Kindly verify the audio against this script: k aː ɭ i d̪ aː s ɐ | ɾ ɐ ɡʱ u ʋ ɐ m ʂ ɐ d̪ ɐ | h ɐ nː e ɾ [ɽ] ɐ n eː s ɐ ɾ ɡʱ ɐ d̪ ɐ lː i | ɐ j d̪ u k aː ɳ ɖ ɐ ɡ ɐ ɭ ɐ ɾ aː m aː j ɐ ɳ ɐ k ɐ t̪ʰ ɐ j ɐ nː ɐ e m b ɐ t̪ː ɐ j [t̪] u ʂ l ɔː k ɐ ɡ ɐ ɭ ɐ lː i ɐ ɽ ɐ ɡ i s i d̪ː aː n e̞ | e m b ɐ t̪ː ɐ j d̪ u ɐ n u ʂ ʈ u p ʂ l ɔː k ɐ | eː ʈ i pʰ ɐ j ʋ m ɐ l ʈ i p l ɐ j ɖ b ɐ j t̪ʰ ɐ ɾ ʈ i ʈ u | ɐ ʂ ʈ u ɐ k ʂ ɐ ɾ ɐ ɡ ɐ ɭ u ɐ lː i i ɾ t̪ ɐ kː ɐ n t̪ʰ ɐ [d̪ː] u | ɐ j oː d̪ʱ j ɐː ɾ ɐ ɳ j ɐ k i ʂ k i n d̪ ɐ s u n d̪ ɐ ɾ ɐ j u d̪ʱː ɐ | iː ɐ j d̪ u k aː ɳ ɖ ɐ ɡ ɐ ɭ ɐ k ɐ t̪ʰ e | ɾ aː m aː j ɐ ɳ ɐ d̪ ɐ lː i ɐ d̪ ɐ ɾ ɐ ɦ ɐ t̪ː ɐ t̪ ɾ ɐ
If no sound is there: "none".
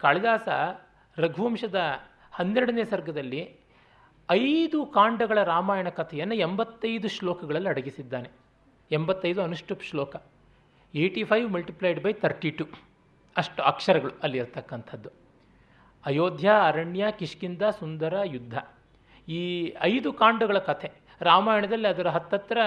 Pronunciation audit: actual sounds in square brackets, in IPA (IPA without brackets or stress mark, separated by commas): ɽ, d̪, d̪ː